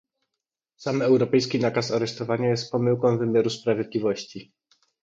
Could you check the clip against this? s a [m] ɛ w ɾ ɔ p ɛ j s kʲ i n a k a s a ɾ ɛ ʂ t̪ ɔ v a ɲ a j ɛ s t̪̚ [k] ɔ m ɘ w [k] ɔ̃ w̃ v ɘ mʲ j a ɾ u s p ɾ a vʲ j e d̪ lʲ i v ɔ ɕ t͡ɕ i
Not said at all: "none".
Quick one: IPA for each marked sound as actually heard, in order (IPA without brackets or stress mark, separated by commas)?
m, p, k